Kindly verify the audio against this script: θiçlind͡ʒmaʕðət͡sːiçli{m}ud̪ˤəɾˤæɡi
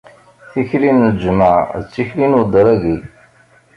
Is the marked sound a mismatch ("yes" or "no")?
yes